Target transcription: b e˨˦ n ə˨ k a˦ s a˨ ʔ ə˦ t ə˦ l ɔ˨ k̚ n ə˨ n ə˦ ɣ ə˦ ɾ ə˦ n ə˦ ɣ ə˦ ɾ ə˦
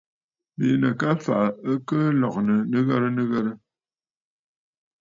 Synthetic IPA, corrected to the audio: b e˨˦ n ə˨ k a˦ f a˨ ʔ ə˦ k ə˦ l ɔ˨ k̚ n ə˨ n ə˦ ɣ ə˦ ɾ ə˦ n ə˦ ɣ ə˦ ɾ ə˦